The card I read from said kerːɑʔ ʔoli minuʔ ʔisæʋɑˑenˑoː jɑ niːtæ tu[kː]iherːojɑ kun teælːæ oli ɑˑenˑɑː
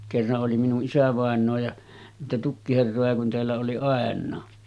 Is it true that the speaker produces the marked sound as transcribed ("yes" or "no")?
yes